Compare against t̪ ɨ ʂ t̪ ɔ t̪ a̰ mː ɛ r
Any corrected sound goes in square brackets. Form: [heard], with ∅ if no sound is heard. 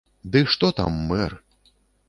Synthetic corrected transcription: [d̪] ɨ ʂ t̪ ɔ t̪ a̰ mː ɛ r